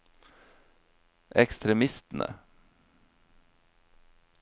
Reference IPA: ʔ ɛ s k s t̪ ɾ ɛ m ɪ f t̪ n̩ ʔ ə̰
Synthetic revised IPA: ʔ ɛ k s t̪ ɾ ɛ m ɪ s t̪ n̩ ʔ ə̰